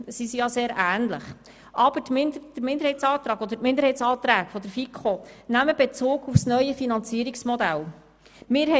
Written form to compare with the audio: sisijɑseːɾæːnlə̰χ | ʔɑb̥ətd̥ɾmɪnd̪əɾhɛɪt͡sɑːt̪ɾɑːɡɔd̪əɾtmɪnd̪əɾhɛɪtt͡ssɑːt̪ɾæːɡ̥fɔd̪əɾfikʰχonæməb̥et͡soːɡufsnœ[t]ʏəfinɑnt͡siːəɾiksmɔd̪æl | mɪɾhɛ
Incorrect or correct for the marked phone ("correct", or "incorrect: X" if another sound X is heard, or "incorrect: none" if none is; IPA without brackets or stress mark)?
incorrect: none